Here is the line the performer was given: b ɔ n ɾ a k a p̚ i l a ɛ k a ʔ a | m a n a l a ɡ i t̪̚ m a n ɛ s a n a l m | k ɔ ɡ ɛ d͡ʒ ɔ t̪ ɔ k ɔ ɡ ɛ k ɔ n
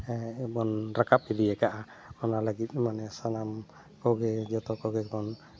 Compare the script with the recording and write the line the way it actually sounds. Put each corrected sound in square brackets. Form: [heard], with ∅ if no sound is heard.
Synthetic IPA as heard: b ɔ n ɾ a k a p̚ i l [i] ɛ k a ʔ a | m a n a l a ɡ i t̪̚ m a n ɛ s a n a [∅] m | k ɔ ɡ ɛ d͡ʒ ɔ t̪ ɔ k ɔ ɡ ɛ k ɔ n